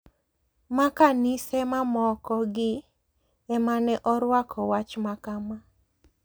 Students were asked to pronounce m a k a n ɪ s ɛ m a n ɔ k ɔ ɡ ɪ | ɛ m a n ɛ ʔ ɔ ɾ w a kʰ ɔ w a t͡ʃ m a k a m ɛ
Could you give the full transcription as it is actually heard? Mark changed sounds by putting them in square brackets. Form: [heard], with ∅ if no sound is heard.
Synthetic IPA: m a k a n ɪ s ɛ m a [m] ɔ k ɔ ɡ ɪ | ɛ m a n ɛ ʔ ɔ ɾ w a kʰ ɔ w a t͡ʃ m a k a m [a]